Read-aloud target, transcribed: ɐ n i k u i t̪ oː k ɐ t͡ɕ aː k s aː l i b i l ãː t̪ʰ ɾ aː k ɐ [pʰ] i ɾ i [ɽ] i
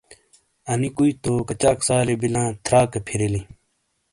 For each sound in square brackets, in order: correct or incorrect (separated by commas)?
correct, incorrect